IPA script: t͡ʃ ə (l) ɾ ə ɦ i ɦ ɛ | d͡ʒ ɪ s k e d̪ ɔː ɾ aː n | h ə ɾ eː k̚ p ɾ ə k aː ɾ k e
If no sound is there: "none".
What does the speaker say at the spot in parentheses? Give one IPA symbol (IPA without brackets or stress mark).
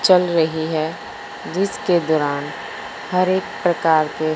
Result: l